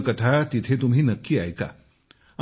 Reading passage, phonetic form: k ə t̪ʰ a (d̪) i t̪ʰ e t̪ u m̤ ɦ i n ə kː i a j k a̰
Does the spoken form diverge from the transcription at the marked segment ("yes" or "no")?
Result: yes